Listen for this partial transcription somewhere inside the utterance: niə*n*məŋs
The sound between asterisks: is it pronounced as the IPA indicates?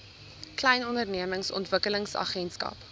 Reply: no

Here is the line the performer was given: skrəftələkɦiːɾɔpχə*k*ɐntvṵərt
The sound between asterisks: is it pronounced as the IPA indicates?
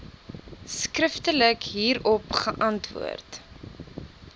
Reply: no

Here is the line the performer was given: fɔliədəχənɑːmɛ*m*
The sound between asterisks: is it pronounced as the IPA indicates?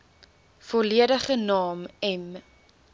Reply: yes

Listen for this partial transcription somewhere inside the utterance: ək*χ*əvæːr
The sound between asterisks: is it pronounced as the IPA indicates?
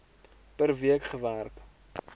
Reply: yes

